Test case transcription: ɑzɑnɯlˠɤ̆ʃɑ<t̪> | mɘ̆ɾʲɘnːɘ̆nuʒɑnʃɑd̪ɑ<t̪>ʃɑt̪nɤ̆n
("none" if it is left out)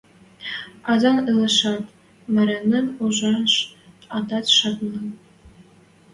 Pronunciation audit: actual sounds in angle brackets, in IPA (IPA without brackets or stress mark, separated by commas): t̪, t̪